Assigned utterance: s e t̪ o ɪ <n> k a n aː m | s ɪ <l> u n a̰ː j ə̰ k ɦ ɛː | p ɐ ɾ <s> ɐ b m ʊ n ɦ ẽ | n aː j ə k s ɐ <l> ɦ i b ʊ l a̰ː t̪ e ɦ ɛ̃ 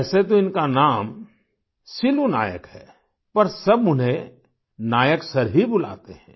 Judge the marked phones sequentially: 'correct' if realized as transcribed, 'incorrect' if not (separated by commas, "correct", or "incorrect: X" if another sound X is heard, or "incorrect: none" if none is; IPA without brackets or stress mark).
correct, correct, correct, incorrect: ɾ